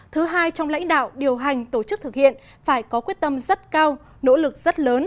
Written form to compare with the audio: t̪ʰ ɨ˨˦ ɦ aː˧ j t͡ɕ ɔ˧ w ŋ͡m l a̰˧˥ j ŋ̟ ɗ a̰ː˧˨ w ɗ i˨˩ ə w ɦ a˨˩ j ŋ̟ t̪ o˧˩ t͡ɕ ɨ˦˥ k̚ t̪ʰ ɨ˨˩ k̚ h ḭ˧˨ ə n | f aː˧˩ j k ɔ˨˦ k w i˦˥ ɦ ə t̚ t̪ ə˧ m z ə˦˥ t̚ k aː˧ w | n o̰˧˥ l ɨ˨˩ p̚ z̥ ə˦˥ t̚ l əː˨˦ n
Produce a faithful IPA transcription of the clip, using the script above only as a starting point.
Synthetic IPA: t̪ʰ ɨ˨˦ ɦ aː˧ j t͡ɕ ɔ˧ w ŋ͡m l a̰˧˥ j ŋ̟ ɗ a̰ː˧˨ w ɗ i˨˩ ə w ɦ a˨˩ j ŋ̟ t̪ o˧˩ t͡ɕ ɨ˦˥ k̚ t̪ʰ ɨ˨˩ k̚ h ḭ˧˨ ə n | f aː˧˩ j k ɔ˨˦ k w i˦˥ ə t̚ t̪ ə˧ m z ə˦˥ t̚ k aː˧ w | n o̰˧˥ l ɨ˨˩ k̚ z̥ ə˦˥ t̚ l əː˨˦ n